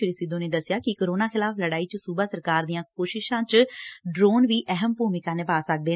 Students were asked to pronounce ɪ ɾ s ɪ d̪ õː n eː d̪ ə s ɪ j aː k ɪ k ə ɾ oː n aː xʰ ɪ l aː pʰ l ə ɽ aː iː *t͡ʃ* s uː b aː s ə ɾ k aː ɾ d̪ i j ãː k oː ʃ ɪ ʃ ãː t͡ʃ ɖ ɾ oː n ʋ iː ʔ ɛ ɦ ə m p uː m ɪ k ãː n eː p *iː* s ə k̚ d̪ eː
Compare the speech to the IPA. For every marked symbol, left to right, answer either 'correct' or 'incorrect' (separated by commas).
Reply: correct, incorrect